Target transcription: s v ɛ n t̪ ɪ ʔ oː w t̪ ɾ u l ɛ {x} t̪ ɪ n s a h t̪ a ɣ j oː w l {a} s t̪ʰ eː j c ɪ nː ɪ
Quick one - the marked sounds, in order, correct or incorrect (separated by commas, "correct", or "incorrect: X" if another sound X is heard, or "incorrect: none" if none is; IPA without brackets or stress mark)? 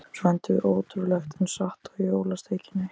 correct, correct